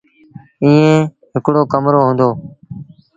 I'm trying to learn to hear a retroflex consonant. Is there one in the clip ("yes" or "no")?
yes